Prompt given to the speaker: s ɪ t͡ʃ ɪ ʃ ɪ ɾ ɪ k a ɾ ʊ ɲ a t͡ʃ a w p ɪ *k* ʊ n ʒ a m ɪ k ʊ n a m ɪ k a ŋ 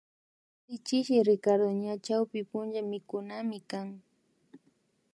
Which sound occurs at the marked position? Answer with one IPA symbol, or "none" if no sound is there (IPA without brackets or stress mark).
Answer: p